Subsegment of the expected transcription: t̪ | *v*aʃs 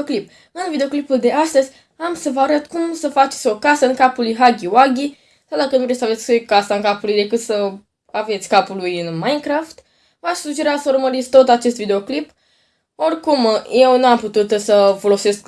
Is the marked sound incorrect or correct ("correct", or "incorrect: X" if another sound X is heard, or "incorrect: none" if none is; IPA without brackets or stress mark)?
correct